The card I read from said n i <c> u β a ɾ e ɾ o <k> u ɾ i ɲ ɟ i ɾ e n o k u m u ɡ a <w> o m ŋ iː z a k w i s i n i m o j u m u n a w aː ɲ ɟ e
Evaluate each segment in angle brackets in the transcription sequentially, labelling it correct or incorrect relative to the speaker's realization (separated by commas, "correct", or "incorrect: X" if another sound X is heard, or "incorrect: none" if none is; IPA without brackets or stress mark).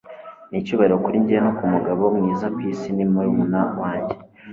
correct, correct, incorrect: β